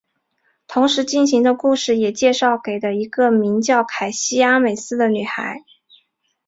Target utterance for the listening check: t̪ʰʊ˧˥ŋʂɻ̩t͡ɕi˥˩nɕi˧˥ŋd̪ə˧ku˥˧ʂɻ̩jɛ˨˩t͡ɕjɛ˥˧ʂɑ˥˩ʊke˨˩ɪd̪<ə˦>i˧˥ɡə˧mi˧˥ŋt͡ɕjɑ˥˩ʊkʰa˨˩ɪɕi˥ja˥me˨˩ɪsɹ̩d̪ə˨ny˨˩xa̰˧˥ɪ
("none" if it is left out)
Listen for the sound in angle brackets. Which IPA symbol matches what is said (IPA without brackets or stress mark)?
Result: ə˦